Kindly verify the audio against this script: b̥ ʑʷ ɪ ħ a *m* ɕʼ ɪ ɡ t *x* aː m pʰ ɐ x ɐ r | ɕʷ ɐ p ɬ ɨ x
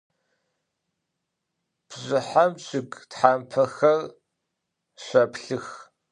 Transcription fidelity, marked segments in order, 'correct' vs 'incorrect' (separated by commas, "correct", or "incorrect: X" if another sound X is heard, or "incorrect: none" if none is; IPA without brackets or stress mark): correct, incorrect: ħ